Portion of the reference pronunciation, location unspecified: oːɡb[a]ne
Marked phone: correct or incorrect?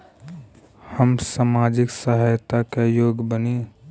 incorrect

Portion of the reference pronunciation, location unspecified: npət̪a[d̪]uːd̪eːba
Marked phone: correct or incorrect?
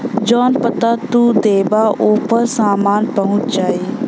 incorrect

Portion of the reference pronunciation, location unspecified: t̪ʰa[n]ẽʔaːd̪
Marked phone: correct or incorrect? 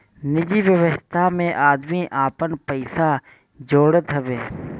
incorrect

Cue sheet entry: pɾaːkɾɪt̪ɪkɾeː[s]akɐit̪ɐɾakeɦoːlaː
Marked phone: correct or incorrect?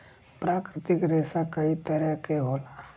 correct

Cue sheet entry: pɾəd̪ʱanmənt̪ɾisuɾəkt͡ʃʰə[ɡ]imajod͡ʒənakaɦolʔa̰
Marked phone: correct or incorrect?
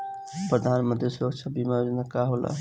incorrect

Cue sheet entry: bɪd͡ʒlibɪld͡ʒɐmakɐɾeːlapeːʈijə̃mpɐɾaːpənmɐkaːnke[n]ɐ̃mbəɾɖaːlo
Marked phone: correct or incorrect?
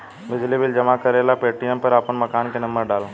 correct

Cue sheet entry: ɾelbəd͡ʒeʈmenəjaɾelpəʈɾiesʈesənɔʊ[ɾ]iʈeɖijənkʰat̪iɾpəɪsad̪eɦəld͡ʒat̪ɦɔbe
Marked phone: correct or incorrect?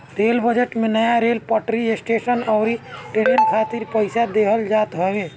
correct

